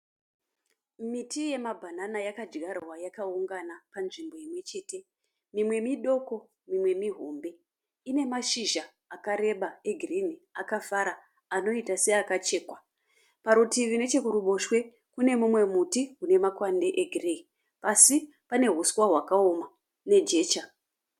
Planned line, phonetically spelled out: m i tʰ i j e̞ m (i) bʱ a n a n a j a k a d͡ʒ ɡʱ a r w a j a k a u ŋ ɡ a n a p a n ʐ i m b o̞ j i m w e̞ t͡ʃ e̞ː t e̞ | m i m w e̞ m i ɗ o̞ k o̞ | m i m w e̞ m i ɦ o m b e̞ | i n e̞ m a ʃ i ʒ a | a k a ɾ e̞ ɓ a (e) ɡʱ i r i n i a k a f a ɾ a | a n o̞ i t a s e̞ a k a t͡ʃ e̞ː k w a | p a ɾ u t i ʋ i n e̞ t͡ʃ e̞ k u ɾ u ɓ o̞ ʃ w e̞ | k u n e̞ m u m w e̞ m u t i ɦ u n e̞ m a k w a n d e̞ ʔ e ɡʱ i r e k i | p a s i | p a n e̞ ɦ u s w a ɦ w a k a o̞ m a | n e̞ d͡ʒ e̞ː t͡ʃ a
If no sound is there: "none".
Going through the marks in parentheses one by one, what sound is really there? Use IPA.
a, e

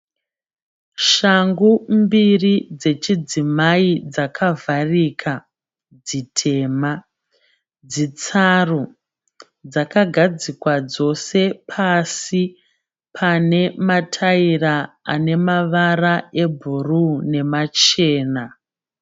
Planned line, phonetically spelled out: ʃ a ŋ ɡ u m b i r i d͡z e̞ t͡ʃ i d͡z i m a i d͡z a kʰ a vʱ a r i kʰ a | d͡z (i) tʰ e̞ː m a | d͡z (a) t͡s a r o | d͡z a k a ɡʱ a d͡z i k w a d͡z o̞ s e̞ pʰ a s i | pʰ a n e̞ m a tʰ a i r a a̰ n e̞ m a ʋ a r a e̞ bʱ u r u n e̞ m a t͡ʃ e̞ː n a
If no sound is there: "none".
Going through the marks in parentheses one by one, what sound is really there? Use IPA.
i, i

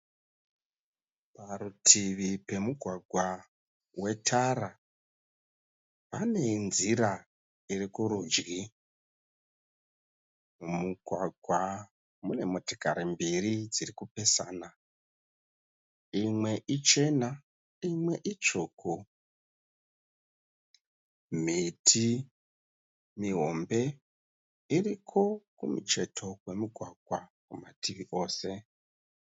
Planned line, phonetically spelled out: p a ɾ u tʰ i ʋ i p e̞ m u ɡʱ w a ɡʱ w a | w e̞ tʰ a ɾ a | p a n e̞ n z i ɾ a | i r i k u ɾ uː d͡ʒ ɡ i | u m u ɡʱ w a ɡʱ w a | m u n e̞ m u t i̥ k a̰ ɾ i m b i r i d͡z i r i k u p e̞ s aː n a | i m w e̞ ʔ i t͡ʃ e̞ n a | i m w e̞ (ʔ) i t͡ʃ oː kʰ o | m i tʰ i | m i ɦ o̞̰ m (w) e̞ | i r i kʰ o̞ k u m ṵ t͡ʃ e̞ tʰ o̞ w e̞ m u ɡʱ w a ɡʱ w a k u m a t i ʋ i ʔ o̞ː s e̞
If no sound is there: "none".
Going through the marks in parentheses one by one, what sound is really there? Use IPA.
ʔ, b

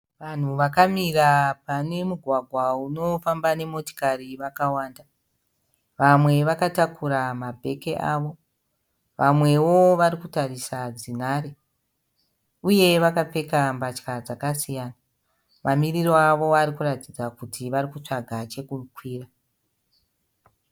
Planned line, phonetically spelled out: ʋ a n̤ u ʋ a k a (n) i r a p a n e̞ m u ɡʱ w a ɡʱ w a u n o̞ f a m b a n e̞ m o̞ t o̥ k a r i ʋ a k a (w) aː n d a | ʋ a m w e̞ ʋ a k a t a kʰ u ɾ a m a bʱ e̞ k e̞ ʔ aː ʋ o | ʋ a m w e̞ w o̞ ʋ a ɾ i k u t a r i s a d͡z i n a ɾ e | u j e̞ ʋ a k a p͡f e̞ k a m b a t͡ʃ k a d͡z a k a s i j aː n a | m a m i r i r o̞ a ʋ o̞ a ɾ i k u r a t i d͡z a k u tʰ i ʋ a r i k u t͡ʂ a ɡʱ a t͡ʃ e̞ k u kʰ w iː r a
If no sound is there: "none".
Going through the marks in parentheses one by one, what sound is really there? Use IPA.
m, w

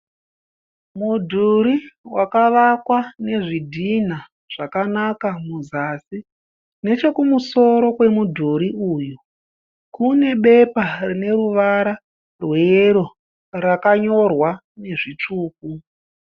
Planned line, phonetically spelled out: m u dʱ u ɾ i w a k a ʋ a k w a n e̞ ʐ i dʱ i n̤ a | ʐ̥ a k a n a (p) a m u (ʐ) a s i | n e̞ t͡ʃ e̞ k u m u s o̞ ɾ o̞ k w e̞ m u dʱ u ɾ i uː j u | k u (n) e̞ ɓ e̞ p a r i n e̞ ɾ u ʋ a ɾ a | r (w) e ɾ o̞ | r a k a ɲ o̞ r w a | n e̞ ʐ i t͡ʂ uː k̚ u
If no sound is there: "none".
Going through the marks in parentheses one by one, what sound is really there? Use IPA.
k, z, n, w

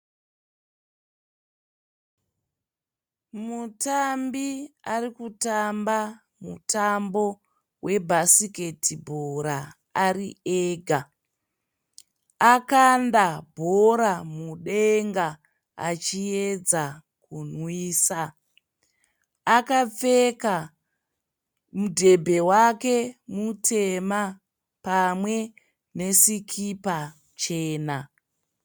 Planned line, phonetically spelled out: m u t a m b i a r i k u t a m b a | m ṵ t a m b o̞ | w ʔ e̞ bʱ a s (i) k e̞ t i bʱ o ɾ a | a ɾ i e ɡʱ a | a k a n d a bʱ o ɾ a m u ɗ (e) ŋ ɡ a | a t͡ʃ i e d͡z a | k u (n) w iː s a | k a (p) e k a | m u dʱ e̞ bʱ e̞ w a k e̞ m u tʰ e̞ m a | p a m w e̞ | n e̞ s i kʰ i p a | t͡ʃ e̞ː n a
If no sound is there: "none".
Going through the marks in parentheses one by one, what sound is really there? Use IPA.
i, e, n, p͡f

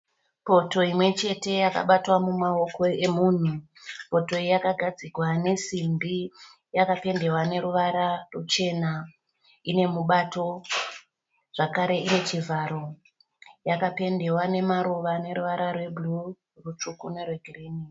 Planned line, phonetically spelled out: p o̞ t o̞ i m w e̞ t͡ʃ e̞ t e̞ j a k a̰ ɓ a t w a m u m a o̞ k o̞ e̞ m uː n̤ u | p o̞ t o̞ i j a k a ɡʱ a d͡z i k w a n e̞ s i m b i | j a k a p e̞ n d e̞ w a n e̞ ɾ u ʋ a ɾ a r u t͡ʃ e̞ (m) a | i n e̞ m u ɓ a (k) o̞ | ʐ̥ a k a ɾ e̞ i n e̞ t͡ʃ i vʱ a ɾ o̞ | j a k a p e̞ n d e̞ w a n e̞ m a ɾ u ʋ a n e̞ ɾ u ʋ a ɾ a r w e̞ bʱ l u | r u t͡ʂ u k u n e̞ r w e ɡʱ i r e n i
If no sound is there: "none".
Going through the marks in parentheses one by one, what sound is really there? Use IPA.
n, t

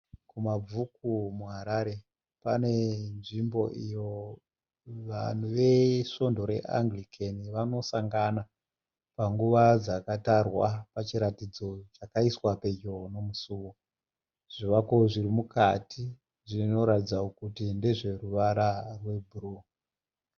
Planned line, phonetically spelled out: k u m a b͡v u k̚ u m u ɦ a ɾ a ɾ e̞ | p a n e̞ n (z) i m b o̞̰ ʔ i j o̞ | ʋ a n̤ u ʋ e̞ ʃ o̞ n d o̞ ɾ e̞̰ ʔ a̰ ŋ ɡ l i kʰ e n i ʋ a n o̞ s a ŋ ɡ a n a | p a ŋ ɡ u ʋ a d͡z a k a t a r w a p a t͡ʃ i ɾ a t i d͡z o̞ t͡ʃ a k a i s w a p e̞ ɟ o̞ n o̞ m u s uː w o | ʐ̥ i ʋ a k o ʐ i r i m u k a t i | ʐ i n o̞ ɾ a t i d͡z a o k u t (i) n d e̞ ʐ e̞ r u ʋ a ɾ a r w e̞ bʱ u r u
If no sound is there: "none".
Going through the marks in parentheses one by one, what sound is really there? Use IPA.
ʐ, i

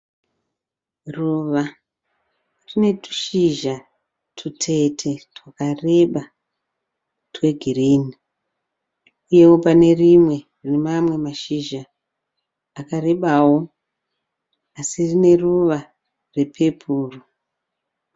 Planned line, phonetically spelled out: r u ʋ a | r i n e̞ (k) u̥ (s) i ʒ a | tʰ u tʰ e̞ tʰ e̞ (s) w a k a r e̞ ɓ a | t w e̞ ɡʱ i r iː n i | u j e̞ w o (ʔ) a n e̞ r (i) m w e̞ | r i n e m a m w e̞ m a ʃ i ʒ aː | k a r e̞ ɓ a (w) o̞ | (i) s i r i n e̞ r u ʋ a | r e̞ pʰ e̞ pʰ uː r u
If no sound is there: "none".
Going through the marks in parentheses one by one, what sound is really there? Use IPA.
t, ʃ, t, p, i, w, a

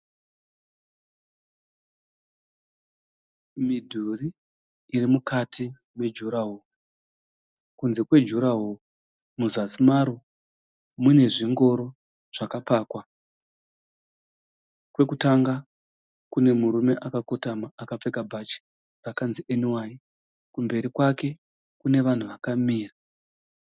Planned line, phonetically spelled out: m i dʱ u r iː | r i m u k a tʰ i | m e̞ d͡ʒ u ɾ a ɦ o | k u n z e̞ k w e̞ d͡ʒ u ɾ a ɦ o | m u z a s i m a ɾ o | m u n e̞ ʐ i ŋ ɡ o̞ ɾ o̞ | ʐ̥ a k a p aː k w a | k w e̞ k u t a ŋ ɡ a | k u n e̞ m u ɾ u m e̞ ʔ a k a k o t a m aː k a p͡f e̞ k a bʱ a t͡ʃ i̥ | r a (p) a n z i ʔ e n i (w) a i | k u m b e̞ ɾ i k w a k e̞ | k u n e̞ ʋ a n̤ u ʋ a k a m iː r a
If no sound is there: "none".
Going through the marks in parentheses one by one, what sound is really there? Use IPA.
k, w

